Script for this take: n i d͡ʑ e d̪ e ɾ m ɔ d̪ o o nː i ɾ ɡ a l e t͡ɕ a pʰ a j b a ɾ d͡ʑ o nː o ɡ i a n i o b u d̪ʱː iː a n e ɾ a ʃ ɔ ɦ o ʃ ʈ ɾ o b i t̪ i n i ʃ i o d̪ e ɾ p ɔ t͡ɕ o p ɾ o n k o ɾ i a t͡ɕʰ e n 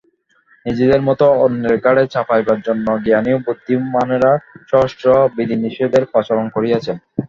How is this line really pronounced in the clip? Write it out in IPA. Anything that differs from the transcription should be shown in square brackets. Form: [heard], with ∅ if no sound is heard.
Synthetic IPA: n i d͡ʑ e d̪ e ɾ m ɔ [t̪] o o nː [e] ɾ ɡ a [ɽ] e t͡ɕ a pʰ a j b a ɾ d͡ʑ o nː o ɡ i a n i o b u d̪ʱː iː a n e ɾ a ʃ ɔ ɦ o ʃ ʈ ɾ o b i [d̪] i n i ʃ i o d̪ e ɾ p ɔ t͡ɕ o [∅] ɾ o n k o ɾ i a t͡ɕʰ e n